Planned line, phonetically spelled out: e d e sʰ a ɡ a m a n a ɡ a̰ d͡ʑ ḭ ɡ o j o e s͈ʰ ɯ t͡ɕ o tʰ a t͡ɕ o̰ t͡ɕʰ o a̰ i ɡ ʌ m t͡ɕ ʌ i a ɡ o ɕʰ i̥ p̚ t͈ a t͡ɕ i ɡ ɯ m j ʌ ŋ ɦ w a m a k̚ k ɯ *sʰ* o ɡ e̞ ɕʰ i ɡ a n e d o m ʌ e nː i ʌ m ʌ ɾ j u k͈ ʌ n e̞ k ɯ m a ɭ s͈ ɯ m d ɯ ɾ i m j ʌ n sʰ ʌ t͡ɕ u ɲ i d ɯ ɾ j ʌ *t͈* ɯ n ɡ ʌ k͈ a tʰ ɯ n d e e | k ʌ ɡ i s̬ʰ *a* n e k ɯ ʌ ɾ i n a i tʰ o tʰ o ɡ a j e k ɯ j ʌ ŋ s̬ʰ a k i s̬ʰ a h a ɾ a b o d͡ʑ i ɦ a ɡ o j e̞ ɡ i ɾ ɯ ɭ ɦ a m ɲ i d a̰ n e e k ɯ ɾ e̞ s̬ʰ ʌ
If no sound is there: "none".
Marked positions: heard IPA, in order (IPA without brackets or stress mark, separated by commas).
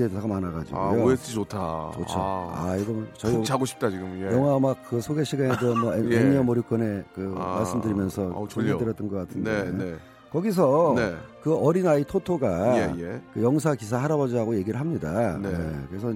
sʰ, t͈, ʌ